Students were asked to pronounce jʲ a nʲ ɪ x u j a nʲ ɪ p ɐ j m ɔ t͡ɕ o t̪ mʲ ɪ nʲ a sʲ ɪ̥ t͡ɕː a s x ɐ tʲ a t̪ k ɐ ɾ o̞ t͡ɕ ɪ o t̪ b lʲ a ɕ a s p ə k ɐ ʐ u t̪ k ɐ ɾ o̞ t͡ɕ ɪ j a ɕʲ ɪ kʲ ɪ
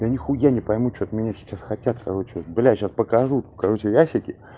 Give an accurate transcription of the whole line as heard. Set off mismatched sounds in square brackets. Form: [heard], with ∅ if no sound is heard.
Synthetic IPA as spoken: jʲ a nʲ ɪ x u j a nʲ ɪ p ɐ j m [u] t͡ɕ o t̪ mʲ ɪ nʲ a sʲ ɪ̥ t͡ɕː a s x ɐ tʲ a t̪ k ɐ ɾ o̞ t͡ɕ ɪ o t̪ b lʲ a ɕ a s p ə k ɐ ʐ u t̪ k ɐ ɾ o̞ t͡ɕ ɪ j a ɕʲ ɪ kʲ ɪ